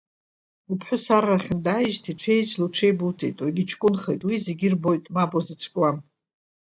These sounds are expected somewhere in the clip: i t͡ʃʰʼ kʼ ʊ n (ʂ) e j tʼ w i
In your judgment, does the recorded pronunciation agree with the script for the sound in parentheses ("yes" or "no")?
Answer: no